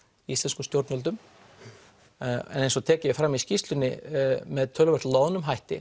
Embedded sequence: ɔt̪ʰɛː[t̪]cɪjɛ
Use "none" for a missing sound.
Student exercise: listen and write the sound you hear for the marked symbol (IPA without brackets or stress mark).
none